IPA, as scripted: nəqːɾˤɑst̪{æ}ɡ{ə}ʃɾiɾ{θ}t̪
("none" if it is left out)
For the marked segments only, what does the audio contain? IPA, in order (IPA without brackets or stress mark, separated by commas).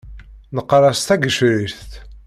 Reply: æ, ə, θ